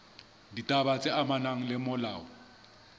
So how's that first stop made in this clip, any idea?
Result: plain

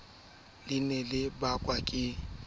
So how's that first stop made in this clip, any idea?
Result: plain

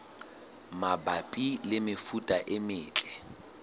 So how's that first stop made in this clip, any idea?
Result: plain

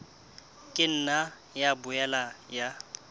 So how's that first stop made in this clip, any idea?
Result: ejective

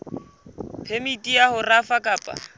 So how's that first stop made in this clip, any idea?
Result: aspirated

